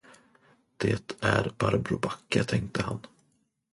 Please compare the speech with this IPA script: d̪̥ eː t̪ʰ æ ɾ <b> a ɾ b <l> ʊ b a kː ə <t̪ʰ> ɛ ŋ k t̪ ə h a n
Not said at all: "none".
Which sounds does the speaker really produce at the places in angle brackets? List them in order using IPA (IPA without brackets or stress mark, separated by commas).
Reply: b, ɾ, t̪ʰ